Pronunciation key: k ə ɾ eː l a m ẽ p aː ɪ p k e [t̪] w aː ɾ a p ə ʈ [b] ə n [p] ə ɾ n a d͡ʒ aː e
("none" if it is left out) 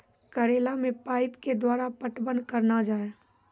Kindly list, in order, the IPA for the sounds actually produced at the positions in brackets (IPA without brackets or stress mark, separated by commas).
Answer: d̪, b, k